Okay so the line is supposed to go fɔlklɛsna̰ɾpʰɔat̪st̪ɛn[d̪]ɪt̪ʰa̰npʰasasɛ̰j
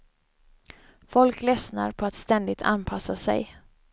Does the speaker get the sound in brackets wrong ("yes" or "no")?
no